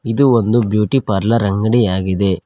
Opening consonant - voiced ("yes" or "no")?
yes